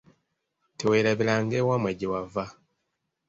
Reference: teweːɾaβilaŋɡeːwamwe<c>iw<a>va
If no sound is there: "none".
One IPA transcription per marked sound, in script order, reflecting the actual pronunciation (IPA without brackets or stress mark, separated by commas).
ɟ, a